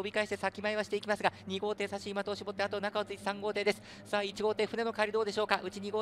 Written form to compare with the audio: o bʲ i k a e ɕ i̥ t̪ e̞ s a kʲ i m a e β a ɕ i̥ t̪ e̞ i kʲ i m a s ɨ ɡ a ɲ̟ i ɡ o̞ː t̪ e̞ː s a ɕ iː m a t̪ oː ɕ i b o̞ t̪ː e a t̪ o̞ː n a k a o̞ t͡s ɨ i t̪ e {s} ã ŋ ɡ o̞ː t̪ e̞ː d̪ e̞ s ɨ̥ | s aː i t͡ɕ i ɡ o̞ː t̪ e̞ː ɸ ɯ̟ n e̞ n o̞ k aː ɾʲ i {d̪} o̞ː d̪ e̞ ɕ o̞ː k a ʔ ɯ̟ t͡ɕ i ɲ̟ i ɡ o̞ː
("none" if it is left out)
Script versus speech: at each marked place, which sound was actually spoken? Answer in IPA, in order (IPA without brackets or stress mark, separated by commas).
s, d̪